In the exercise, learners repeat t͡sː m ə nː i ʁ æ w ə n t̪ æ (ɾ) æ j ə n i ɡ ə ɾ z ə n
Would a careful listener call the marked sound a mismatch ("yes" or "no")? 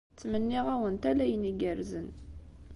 yes